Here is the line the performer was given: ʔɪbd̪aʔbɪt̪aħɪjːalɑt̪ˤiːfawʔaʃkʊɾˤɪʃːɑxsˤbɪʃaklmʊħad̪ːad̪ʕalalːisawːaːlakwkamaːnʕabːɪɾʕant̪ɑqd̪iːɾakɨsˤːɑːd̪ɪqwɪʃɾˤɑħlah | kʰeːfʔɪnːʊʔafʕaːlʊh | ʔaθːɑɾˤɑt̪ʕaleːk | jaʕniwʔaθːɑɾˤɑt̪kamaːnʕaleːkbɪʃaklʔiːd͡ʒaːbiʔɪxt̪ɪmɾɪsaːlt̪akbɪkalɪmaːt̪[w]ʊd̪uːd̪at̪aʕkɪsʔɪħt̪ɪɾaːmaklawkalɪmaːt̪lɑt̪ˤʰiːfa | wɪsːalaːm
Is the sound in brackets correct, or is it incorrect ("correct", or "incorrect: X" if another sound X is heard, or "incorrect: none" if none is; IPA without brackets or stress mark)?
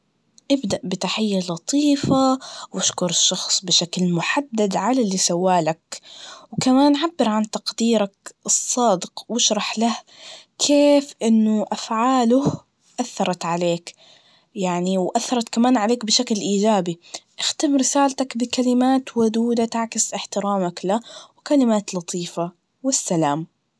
correct